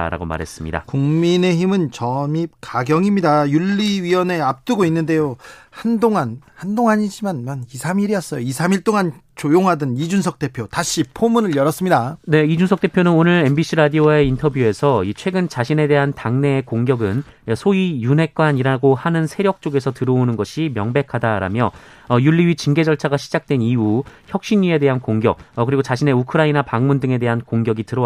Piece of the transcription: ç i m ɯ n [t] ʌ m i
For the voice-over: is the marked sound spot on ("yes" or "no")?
no